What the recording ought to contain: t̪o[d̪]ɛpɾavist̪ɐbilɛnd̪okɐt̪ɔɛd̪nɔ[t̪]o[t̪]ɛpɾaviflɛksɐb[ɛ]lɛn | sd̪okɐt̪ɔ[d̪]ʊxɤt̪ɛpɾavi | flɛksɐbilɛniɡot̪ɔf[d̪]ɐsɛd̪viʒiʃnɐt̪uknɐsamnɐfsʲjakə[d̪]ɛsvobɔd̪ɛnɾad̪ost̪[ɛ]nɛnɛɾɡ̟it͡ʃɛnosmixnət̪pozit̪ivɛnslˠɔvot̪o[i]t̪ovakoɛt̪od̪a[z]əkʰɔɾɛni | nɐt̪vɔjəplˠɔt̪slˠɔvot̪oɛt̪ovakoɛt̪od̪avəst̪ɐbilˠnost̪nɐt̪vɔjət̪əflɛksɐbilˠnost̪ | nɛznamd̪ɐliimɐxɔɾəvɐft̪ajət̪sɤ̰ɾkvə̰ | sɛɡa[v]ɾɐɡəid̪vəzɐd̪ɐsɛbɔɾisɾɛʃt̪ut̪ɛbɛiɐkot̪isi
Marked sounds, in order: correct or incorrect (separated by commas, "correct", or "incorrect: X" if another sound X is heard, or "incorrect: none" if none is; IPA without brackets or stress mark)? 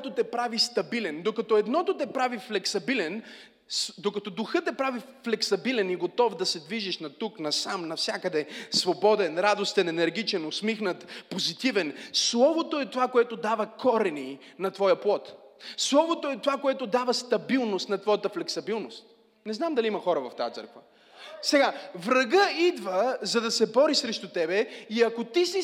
incorrect: t̪, correct, correct, incorrect: i, correct, correct, correct, correct, incorrect: ɛ, incorrect: v, correct